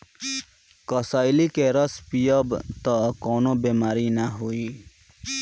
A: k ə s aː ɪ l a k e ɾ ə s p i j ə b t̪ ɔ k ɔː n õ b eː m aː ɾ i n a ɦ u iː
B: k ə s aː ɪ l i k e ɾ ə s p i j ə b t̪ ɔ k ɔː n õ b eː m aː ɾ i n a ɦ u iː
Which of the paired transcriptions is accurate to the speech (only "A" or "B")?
B